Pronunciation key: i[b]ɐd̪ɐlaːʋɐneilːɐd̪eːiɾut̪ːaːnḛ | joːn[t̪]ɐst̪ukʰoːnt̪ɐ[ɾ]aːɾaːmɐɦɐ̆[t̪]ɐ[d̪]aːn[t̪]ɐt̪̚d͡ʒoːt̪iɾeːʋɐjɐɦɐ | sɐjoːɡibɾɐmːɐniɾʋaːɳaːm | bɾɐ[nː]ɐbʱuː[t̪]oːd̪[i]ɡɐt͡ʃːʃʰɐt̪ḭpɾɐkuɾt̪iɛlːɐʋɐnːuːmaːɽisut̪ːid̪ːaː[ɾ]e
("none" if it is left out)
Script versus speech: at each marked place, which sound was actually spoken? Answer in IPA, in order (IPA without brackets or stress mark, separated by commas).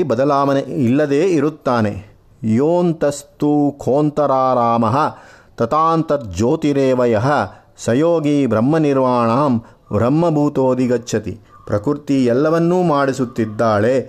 b, t̪, ɾ, t̪, t̪, t̪, mː, t̪, i, ɭ